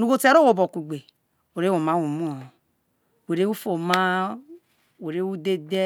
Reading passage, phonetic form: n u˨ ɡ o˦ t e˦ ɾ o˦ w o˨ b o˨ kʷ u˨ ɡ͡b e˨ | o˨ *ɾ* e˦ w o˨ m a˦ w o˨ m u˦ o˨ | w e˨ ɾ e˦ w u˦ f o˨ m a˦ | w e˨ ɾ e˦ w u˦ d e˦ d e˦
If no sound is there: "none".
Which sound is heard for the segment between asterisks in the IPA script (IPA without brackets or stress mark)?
ɾ